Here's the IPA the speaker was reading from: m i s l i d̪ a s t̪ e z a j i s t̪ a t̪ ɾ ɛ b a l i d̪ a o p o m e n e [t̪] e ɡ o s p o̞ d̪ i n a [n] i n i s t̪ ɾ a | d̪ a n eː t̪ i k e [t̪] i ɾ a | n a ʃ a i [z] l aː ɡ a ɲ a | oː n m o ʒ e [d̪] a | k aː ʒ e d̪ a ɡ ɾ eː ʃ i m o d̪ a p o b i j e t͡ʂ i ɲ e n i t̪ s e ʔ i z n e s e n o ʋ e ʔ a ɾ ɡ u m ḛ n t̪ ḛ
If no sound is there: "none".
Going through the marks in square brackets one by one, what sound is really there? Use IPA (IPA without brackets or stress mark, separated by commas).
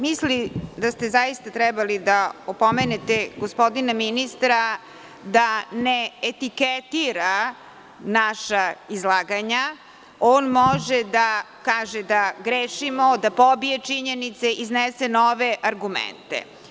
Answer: t̪, m, t̪, z, d̪